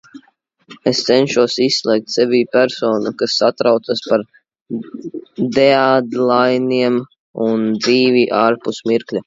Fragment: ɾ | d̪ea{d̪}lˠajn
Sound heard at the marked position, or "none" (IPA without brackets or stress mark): d̪